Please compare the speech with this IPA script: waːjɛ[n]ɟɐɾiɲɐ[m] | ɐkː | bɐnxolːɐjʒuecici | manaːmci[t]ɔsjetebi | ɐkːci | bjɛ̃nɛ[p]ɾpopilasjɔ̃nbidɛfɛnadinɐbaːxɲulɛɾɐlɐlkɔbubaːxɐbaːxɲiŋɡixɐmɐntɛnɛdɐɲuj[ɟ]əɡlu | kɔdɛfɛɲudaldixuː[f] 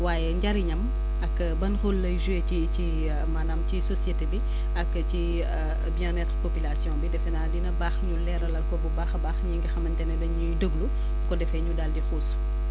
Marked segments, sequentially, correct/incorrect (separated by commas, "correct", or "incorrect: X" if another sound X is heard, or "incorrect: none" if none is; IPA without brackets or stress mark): incorrect: ɲ, correct, incorrect: s, incorrect: t, incorrect: d, incorrect: s